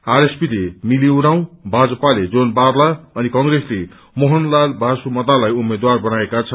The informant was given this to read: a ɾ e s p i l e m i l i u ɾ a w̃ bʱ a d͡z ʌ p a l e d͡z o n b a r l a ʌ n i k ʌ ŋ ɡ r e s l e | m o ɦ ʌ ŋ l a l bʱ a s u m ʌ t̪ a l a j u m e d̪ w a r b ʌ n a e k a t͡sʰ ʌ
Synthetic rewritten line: a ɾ e s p i l e m i l i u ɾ a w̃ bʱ a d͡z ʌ p a l e d͡z o n b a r l a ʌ n i k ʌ ŋ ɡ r e s l e | m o ɦ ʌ n l a l bʱ a s u m ʌ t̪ a l a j u m e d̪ w a r b ʌ n a e k a t͡sʰ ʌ